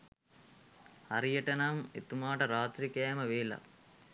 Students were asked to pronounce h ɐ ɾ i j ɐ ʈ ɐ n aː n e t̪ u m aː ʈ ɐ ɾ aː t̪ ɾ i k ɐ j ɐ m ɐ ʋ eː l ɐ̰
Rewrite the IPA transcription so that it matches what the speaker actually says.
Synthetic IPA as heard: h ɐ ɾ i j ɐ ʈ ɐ n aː m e t̪ u m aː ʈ ɐ ɾ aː t̪ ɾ i k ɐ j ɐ m ɐ ʋ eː l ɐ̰